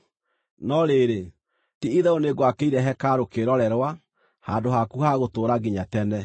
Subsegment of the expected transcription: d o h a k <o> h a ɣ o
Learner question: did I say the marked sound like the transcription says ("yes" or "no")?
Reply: no